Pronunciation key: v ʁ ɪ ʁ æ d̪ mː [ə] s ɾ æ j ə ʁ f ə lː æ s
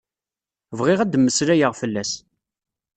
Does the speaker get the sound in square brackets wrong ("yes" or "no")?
no